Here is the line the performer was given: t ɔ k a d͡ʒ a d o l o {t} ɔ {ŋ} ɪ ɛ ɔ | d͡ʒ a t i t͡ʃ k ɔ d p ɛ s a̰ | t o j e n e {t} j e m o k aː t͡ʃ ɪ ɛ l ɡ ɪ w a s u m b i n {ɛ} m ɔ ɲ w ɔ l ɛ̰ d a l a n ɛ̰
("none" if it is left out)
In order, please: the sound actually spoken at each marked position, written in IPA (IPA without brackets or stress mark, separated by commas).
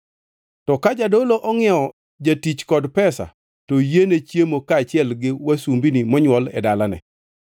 ʔ, ŋ, t͡ʃ, i